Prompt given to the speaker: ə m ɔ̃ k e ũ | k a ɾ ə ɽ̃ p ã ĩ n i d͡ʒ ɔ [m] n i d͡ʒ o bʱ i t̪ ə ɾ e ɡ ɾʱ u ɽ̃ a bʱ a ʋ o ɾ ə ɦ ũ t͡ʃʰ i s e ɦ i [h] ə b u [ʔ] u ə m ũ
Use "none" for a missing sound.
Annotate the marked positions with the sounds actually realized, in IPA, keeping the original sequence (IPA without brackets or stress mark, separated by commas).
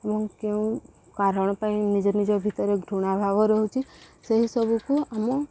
none, s, k